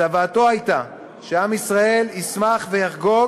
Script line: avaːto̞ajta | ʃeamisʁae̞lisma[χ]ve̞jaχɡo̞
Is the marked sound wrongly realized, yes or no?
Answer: no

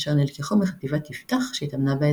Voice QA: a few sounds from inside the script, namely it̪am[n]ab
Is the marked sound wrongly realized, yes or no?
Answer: no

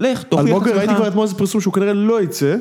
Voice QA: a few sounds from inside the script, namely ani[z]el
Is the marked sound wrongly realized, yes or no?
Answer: yes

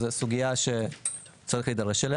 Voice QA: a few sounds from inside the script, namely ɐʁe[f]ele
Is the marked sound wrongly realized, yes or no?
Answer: yes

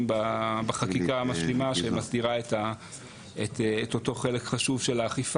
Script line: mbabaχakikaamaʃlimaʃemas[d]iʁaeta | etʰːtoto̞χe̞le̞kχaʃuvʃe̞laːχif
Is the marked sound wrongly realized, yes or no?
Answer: no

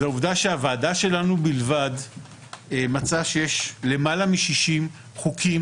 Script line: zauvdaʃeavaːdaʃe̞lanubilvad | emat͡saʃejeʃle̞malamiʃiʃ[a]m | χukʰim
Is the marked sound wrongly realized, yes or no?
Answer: yes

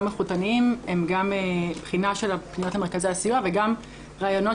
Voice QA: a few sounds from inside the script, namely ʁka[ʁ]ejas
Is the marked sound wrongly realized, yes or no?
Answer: yes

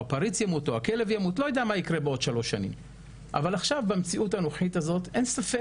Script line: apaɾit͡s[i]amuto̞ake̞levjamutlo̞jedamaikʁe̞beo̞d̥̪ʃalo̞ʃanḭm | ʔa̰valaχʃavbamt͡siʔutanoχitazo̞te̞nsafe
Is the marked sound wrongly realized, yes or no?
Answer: yes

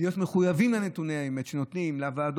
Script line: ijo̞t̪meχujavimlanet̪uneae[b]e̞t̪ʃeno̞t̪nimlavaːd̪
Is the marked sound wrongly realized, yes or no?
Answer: yes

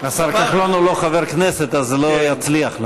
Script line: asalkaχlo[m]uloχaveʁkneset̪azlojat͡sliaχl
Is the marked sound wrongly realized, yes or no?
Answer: yes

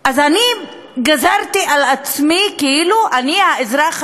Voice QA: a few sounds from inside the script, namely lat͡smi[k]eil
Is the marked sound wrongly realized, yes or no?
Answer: no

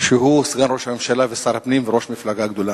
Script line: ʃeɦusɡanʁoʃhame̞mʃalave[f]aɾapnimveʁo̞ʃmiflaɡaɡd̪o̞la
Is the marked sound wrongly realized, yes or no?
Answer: yes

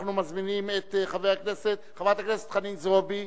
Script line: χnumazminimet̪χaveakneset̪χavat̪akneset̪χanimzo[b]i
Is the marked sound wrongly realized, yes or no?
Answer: no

